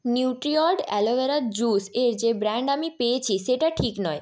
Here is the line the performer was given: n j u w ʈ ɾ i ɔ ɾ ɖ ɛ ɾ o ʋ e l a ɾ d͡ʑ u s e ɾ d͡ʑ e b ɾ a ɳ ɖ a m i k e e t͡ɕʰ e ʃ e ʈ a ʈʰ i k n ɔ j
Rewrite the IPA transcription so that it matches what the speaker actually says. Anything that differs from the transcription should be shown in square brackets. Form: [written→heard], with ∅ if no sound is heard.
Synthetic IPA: n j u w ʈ ɾ i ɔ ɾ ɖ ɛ [ɾ→l] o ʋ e [l→ɾ] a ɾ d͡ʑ u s e ɾ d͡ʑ e b ɾ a ɳ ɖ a m i [k→p] e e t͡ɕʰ [e→i] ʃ e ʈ a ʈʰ i k n ɔ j